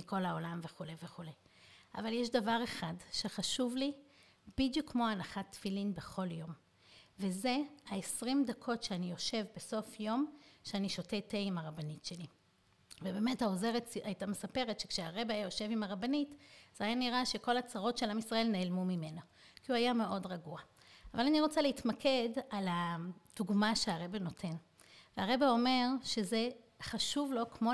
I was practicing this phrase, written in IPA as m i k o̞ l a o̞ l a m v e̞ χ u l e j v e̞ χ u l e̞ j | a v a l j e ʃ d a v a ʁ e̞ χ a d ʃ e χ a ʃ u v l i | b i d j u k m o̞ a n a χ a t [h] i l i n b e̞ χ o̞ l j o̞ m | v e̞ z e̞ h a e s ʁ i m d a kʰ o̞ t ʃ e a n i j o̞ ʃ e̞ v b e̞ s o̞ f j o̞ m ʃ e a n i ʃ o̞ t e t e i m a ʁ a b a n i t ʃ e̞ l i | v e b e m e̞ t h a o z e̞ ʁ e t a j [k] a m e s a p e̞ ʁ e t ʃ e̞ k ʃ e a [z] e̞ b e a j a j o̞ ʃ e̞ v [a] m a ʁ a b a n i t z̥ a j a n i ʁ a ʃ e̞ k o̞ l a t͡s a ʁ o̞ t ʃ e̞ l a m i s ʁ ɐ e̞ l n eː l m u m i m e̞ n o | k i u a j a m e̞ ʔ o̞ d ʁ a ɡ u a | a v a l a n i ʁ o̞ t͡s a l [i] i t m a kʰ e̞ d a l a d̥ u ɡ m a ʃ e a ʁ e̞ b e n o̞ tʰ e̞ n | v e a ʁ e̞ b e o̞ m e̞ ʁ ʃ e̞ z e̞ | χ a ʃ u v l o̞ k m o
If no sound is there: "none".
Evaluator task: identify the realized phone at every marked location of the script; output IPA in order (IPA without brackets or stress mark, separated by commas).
f, t, ʁ, i, e